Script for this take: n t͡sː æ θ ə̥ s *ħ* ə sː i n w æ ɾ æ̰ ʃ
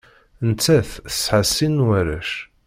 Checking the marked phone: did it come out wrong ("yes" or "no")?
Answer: no